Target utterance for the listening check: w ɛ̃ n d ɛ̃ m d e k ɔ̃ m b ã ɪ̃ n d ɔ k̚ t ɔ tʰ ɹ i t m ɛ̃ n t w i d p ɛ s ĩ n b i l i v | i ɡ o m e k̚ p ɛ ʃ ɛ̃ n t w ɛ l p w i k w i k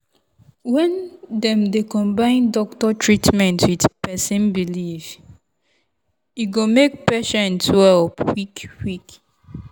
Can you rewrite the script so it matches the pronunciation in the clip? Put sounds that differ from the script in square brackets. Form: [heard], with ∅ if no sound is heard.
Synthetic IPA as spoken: w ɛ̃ n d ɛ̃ m d e k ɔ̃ m b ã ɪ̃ n d ɔ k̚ t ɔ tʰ ɹ i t m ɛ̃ n t w i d p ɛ s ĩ n b i l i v | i ɡ o m e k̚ p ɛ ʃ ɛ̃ n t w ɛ l p w i k w i k